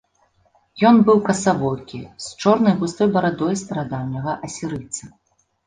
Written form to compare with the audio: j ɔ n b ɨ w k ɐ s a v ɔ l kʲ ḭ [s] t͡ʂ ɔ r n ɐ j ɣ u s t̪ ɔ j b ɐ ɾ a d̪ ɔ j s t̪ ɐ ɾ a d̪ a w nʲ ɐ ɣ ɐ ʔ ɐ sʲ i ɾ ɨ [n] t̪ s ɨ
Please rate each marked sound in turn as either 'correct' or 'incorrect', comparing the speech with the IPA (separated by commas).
correct, incorrect